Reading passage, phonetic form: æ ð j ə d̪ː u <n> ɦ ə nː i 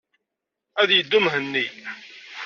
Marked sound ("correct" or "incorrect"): incorrect